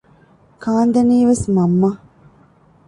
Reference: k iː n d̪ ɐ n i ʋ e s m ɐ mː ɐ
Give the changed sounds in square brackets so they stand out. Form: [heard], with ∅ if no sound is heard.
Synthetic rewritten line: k [aː] n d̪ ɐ n [iː] ʋ e s m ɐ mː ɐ

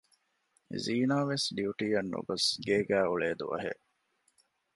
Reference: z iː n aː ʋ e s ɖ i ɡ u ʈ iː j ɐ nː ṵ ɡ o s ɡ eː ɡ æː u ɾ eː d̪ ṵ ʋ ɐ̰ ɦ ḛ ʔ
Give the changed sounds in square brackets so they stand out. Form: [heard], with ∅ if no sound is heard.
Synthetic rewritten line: z iː n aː ʋ e s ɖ i [∅] u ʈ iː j ɐ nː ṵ ɡ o s ɡ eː ɡ æː u [ɭ] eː d̪ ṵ ʋ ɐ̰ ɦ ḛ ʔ

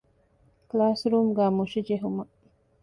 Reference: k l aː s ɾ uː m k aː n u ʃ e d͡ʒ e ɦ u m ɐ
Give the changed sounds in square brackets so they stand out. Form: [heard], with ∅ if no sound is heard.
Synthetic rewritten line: k l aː s ɾ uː m [ɡ] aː [m] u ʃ [i] d͡ʒ e ɦ u m ɐ

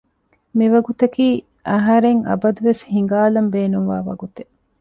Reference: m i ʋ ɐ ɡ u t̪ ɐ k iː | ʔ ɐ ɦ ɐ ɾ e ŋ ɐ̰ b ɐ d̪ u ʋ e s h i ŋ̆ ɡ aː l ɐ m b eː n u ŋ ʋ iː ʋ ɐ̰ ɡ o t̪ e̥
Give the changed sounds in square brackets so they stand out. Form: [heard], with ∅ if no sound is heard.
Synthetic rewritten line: m i ʋ ɐ ɡ u t̪ ɐ k iː | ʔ ɐ ɦ ɐ ɾ e ŋ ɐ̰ b ɐ d̪ u ʋ e s h i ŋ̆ ɡ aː l ɐ m b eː n u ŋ ʋ [aː] ʋ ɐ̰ ɡ [u] t̪ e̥

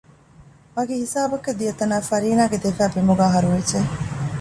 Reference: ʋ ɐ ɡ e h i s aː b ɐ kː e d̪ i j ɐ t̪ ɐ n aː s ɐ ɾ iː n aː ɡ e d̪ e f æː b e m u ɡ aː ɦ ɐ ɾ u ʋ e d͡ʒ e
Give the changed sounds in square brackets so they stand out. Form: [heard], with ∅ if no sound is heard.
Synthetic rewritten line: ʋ ɐ ɡ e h i s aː b ɐ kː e d̪ i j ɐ t̪ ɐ n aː [f] ɐ ɾ iː n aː ɡ e d̪ e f æː b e m u ɡ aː ɦ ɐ ɾ u ʋ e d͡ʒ e

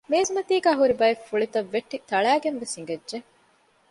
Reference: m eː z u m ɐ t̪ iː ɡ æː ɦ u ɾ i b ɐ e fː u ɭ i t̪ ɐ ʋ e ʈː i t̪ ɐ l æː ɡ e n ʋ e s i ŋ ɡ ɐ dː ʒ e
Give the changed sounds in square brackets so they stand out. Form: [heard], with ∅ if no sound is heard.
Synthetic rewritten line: m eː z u m ɐ t̪ iː ɡ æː ɦ u ɾ i b ɐ e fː u ɭ i t̪ ɐ [ʋː] e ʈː i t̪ ɐ [ɭ] æː ɡ e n ʋ e s i ŋ ɡ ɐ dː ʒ e

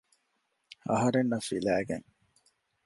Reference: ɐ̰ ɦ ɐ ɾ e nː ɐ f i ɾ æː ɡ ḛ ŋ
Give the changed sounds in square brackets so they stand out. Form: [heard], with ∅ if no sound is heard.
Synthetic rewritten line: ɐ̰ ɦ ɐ ɾ e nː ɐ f i [l] æː ɡ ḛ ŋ

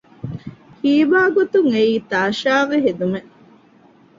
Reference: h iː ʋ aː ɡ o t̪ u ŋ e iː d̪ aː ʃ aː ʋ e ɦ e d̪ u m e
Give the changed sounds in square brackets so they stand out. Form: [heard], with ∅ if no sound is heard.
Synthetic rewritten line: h iː ʋ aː ɡ o t̪ u ŋ e iː [t̪] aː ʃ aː ʋ e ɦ e d̪ u m e

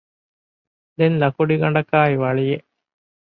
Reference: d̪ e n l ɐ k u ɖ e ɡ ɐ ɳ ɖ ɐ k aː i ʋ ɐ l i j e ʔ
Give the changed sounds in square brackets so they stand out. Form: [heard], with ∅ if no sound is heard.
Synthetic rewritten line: d̪ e n l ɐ k u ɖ [i] ɡ ɐ ɳ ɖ ɐ k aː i ʋ ɐ [ɭ] i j e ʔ

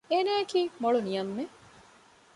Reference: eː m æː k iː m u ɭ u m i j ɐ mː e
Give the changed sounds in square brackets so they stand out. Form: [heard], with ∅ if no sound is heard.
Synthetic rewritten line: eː [n] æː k iː m [o] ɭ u [n] i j ɐ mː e

